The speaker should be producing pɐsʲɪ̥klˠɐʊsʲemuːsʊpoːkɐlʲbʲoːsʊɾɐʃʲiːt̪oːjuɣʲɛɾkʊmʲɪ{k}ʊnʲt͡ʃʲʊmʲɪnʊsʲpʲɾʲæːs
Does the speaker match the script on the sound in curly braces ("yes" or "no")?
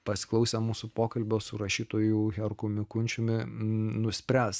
yes